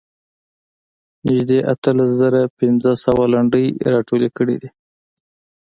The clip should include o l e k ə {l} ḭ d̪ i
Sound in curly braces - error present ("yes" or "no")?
yes